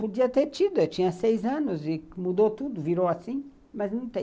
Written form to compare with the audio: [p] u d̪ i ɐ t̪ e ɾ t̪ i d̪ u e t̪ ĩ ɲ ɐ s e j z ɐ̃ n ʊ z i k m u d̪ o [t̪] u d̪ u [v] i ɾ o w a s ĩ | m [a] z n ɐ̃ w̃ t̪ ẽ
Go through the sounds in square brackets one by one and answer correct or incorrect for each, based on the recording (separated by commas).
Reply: correct, correct, correct, incorrect